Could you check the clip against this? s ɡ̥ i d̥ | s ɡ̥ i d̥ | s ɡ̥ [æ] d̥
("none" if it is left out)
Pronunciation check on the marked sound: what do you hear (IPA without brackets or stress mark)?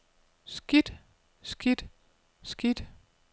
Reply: i